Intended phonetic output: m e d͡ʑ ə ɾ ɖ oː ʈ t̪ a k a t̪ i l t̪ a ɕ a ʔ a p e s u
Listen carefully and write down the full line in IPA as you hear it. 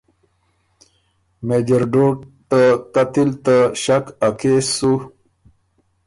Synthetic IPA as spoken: m e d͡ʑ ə ɾ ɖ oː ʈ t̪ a k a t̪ i l t̪ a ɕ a k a k e s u